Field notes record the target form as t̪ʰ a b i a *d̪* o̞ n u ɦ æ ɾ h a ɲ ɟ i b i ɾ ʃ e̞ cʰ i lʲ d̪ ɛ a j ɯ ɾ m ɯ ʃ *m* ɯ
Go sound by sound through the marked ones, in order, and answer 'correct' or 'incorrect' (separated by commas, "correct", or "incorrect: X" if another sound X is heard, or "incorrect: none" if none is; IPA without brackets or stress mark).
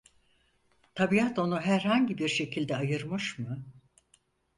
incorrect: t̪, correct